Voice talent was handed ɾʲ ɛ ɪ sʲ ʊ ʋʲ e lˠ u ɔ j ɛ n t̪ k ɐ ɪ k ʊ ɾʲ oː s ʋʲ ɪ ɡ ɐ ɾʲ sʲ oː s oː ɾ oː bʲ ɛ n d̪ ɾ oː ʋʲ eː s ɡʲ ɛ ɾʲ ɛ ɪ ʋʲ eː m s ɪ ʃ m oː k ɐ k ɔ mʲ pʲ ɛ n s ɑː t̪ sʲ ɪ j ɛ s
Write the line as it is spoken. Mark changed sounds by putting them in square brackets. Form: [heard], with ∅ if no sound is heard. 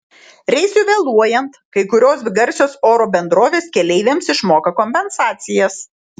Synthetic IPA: ɾʲ ɛ ɪ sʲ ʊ ʋʲ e lˠ u ɔ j ɛ n t̪ k ɐ ɪ k ʊ ɾʲ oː s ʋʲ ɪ ɡ ɐ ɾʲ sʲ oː s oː ɾ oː bʲ ɛ n d̪ ɾ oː ʋʲ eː s [kʲ] ɛ [lʲ] ɛ ɪ ʋʲ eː m s ɪ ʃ m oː k ɐ k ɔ mʲ pʲ ɛ n s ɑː t̪ sʲ ɪ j ɛ s